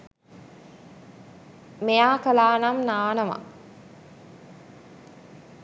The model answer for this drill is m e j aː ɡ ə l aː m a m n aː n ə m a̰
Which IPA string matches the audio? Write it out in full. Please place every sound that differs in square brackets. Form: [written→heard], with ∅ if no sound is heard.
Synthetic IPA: m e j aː [ɡ→k] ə l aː [m→n] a m n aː n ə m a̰